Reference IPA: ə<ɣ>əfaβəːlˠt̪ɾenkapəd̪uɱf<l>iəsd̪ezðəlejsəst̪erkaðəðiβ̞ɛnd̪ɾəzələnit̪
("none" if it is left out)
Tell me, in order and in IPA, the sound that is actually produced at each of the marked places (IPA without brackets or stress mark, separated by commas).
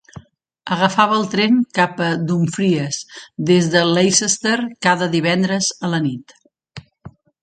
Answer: ɣ, ɾ